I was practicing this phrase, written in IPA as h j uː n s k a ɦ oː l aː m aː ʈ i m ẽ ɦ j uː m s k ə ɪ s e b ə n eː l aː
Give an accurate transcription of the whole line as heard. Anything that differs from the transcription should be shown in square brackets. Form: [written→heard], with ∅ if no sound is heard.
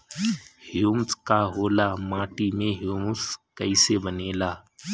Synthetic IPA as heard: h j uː [n→m] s k a ɦ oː l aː m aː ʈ i m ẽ ɦ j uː m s k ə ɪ s e b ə n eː l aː